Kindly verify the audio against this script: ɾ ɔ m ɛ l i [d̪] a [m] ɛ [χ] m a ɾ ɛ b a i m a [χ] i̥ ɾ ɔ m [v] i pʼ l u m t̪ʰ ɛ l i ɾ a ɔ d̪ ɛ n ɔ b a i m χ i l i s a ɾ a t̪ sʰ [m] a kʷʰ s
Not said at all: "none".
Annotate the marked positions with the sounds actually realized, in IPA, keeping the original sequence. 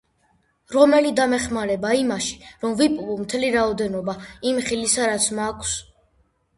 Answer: d̪, m, χ, ʃ, v, m

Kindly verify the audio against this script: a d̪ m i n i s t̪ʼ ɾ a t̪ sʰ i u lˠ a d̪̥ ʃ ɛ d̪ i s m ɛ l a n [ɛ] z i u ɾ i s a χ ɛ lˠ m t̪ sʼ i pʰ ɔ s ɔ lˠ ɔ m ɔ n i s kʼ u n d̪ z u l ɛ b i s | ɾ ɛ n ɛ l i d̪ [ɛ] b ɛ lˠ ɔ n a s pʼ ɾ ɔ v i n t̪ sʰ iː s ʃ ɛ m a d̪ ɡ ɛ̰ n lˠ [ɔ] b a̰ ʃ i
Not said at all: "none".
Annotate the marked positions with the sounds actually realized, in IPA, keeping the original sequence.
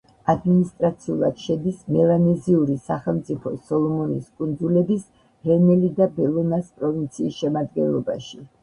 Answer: ɛ, a, ɔ

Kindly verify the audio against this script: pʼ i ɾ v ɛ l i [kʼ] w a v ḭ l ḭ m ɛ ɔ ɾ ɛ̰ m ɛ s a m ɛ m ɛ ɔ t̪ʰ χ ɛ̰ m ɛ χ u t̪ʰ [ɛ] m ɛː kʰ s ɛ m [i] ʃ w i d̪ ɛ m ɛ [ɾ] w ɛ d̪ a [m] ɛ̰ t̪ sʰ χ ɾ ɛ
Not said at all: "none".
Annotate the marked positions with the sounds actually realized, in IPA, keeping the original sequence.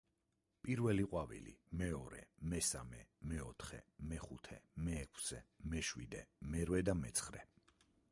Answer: qʼ, ɛ, ɛ, ɾ, m

